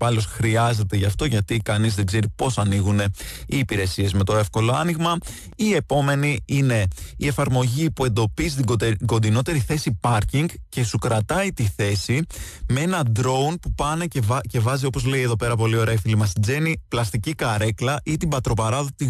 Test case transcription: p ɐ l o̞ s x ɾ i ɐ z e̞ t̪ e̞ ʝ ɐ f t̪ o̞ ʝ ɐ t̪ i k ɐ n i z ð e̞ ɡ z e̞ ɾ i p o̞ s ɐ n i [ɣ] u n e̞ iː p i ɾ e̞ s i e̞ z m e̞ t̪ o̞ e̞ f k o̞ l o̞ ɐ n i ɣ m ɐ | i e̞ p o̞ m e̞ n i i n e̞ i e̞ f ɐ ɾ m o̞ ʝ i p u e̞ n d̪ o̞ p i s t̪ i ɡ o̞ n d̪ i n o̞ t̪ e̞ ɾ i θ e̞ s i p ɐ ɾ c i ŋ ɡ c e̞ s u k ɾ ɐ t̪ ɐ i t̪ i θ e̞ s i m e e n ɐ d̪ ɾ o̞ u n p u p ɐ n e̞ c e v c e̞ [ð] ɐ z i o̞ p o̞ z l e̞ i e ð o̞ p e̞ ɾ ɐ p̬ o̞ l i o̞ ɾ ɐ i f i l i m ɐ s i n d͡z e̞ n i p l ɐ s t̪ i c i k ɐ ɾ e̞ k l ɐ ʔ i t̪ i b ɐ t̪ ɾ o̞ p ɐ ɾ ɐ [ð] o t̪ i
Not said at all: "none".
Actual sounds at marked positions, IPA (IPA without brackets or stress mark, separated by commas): ɣ, v, ð